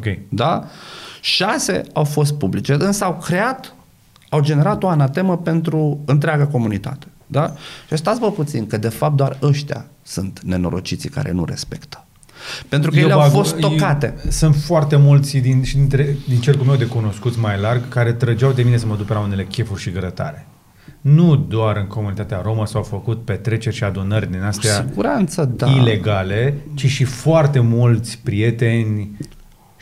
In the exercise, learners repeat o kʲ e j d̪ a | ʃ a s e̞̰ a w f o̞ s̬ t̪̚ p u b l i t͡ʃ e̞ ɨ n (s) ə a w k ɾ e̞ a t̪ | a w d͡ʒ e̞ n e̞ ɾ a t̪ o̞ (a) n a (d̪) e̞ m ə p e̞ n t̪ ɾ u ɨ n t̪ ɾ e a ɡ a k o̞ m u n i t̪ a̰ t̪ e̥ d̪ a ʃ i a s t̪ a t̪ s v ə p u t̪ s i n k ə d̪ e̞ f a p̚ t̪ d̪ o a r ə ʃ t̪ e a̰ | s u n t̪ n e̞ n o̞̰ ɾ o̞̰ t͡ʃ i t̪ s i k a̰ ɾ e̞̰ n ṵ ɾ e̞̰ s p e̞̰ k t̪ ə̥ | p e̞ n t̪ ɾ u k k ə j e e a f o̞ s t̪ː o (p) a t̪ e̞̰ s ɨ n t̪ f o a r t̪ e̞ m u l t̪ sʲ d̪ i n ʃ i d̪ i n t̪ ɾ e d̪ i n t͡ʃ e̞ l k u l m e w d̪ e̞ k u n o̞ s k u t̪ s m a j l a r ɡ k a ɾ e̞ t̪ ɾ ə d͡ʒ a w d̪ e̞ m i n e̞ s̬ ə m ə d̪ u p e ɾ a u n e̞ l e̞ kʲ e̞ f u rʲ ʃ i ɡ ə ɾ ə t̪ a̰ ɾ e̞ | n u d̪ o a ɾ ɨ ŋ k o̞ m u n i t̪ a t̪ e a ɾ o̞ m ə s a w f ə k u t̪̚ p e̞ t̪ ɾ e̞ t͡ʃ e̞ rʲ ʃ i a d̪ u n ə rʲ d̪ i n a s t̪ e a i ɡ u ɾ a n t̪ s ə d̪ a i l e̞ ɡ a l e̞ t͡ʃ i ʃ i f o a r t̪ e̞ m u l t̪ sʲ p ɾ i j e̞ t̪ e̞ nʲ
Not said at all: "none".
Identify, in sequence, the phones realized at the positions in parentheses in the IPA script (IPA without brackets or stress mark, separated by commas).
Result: s, a, t̪, k